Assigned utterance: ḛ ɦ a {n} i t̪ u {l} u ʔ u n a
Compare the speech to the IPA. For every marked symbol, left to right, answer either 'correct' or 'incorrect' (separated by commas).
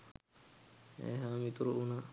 incorrect, incorrect